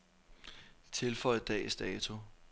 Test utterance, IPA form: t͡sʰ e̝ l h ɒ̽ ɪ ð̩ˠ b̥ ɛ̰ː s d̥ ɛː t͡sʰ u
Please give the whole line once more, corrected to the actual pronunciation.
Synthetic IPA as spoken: t͡sʰ e̝ l f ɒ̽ ɪ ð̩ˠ d̥ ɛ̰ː s d̥ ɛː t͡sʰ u